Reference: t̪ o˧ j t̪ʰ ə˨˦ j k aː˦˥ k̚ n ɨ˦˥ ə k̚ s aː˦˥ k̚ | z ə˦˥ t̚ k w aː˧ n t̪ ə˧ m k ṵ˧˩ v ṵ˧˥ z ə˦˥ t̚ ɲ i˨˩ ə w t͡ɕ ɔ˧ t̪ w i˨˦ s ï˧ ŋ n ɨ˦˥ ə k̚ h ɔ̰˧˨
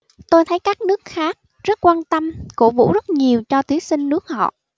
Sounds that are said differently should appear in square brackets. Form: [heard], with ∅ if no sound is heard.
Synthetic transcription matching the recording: t̪ o˧ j t̪ʰ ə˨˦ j k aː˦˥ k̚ n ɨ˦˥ ə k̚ [x] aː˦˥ k̚ | z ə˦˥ t̚ k w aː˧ n t̪ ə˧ m k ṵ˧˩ v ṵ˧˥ z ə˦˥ t̚ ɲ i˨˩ ə w t͡ɕ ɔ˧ t̪ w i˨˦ s ï˧ ŋ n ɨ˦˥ ə k̚ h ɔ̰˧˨

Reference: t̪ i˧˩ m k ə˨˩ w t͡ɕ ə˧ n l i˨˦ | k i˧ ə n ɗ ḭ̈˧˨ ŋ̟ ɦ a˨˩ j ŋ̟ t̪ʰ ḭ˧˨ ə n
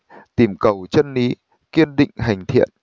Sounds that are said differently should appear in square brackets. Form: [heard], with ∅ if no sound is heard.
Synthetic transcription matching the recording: t̪ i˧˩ m k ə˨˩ w t͡ɕ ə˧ n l i˨˦ | k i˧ ə n ɗ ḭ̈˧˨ ŋ̟ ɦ a˨˩ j ŋ̟ t̪ʰ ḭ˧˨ ə n

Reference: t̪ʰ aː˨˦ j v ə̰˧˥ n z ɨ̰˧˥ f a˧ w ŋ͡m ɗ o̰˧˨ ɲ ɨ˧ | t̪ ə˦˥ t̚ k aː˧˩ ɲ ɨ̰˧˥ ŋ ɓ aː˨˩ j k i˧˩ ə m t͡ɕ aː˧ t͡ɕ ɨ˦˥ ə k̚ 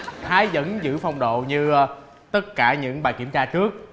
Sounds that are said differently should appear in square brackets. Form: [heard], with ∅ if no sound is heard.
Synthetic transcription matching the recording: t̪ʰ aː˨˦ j [z] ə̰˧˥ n z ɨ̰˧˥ f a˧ w ŋ͡m ɗ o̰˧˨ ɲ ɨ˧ | t̪ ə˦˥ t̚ k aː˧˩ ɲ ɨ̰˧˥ ŋ ɓ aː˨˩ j k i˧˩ ə m t͡ɕ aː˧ t͡ɕ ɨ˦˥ ə k̚

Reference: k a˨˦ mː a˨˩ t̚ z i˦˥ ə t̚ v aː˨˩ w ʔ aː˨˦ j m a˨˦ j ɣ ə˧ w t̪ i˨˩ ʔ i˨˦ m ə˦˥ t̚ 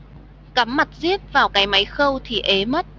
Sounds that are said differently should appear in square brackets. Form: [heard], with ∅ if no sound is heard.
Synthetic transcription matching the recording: k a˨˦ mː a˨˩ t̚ z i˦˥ ə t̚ v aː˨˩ w [k] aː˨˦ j m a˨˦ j [x] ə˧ w [t̪ʰ] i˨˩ ʔ [e˨˦] m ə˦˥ t̚

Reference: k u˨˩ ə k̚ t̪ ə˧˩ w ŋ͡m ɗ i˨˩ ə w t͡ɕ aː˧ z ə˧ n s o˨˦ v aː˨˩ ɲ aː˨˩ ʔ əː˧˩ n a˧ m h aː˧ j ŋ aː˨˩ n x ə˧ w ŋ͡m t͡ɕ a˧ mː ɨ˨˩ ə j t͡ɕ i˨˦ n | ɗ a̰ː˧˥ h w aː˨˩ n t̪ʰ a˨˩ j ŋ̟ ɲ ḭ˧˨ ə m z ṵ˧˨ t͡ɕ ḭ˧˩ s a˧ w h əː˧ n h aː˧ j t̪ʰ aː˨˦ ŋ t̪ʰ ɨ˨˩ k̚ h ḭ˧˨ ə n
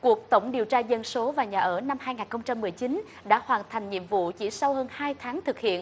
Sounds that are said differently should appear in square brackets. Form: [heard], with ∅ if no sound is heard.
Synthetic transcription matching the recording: k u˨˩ ə k̚ t̪ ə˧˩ w ŋ͡m ɗ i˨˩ ə w t͡ɕ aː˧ z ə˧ n s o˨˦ v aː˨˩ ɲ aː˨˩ ʔ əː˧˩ n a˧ m h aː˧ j ŋ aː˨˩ n x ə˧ w ŋ͡m t͡ɕ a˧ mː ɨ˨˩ ə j t͡ɕ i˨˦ n | ɗ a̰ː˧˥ h w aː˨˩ n t̪ʰ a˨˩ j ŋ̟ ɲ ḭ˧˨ ə m [v] ṵ˧˨ t͡ɕ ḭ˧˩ s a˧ w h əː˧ n h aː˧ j t̪ʰ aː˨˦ ŋ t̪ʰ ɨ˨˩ k̚ h ḭ˧˨ ə n

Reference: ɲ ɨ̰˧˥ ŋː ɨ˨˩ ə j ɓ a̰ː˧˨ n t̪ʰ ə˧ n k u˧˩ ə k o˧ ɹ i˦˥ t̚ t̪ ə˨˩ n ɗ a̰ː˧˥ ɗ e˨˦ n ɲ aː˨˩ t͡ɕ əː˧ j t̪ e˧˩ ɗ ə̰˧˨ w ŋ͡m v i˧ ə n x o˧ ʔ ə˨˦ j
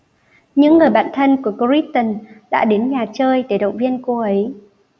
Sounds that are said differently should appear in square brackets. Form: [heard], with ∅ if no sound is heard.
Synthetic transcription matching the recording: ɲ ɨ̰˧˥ ŋː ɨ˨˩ ə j ɓ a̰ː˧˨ n t̪ʰ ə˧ n k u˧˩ ə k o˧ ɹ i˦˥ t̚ t̪ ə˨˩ n ɗ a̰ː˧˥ ɗ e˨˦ n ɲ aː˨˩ t͡ɕ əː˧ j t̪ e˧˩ ɗ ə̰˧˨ w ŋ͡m v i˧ ə n [k] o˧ ʔ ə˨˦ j

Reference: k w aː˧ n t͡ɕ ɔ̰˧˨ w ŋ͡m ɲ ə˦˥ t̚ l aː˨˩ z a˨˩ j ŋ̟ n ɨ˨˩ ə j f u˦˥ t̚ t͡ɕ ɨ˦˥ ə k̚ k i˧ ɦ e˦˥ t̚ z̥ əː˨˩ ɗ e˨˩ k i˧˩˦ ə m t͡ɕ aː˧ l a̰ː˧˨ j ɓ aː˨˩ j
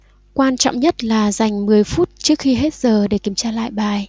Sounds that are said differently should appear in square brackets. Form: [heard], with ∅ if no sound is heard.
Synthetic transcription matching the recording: k w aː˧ n t͡ɕ ɔ̰˧˨ w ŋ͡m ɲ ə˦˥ t̚ l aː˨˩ z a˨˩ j ŋ̟ [m] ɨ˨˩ ə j f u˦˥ t̚ t͡ɕ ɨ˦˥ ə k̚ [x] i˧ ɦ e˦˥ t̚ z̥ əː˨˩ ɗ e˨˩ k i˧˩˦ ə m t͡ɕ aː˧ l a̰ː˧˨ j ɓ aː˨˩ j

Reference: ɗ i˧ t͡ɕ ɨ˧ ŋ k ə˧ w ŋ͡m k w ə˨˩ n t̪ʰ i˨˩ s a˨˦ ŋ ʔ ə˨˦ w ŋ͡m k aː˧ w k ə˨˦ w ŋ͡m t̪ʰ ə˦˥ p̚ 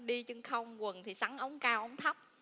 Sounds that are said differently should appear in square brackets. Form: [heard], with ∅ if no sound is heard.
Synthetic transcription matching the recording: ɗ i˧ t͡ɕ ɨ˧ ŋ [x] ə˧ w ŋ͡m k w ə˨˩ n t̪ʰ i˨˩ s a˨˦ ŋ ʔ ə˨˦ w ŋ͡m k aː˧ w [ʔ] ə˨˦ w ŋ͡m t̪ʰ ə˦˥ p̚

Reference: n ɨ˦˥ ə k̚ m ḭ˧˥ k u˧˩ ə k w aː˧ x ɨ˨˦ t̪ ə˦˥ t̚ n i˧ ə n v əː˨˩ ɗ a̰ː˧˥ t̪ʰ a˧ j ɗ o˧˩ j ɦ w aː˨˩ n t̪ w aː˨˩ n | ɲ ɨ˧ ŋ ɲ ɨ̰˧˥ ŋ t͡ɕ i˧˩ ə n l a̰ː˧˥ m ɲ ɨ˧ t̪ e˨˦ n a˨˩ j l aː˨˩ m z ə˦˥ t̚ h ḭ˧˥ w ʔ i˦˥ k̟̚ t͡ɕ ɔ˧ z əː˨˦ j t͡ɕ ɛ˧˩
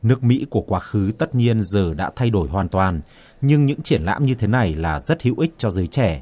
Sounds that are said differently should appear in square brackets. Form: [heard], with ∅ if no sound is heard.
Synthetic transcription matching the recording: n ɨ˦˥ ə k̚ m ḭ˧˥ k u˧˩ ə k w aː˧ x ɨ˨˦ t̪ ə˦˥ t̚ [ɲ] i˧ ə n [z] əː˨˩ ɗ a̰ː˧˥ t̪ʰ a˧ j ɗ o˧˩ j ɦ w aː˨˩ n t̪ w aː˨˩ n | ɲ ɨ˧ ŋ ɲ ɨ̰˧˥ ŋ t͡ɕ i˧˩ ə n l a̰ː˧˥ m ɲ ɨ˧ [t̪ʰ] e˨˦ n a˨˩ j l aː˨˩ [∅] z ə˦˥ t̚ h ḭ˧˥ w ʔ i˦˥ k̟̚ t͡ɕ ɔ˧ z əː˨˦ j t͡ɕ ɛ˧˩

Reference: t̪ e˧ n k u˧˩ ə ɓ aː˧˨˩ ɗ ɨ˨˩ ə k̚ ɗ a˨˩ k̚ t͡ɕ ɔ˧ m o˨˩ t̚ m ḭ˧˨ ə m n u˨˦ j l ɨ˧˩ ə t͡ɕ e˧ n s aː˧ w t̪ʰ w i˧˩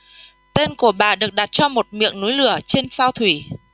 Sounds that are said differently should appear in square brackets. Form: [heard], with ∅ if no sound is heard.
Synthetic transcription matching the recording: t̪ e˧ n k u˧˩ ə ɓ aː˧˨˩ ɗ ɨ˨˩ ə k̚ ɗ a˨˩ [t̚] t͡ɕ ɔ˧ m o˨˩ t̚ m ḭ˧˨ ə [ŋ] n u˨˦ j l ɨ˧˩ ə t͡ɕ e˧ n s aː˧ w t̪ʰ w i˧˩

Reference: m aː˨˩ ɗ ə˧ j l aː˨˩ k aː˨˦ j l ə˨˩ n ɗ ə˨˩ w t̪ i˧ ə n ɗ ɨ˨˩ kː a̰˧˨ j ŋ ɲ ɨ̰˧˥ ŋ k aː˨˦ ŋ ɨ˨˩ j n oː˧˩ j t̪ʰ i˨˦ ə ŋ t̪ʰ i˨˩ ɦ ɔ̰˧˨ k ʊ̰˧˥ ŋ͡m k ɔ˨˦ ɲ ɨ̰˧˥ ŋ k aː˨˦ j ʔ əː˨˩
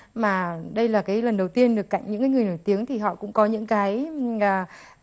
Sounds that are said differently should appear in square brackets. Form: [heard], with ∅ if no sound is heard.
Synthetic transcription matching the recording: m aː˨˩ ɗ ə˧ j l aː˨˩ k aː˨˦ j l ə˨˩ n ɗ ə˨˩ w t̪ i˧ ə n ɗ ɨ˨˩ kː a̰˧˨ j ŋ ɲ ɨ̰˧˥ ŋ k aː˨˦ ŋ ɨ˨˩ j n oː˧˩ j [t̪] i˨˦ ə ŋ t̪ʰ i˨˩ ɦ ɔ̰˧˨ k ʊ̰˧˥ ŋ͡m k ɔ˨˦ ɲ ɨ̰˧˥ ŋ k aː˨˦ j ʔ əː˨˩

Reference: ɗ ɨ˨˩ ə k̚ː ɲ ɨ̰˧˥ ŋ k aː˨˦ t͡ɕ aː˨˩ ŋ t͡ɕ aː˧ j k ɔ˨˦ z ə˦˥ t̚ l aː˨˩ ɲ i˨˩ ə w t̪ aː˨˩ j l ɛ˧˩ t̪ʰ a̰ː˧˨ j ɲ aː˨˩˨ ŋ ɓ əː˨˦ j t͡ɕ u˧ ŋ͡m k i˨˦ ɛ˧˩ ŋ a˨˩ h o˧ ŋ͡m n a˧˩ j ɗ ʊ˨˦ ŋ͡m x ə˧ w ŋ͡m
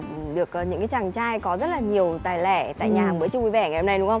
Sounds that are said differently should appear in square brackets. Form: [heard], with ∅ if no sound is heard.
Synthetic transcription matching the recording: ɗ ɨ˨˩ ə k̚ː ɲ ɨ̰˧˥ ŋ k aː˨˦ t͡ɕ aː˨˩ ŋ t͡ɕ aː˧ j k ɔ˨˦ z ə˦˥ t̚ l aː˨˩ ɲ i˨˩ ə w t̪ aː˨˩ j l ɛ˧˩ [t̪] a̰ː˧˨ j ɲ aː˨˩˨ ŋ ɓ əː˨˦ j t͡ɕ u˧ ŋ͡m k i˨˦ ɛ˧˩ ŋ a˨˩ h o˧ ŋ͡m n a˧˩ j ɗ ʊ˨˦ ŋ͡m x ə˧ w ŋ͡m

